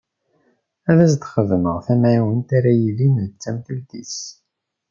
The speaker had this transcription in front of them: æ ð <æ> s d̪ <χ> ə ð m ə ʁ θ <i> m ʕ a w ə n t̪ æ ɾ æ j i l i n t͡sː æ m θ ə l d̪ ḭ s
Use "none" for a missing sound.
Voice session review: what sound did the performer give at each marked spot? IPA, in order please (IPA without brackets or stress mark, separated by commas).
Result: æ, χ, æ